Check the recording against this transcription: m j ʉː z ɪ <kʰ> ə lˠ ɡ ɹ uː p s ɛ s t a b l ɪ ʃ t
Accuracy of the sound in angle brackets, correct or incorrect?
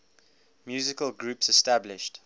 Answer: incorrect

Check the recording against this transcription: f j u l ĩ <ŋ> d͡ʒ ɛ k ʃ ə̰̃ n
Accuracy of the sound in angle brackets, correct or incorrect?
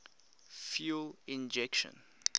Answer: incorrect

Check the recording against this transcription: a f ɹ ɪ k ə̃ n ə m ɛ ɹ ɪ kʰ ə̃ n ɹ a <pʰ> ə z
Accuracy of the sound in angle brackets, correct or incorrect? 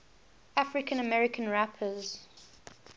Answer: correct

